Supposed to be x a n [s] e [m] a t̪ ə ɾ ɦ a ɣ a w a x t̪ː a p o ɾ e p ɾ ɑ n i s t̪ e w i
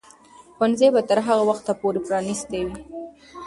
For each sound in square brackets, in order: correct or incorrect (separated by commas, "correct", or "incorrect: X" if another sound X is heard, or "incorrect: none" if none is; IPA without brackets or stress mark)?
incorrect: z, incorrect: b